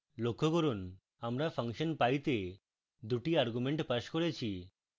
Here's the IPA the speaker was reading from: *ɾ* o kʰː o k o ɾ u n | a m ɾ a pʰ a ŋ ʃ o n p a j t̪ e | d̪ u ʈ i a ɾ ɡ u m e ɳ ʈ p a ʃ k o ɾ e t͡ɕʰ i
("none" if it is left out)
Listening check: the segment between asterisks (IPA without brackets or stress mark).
l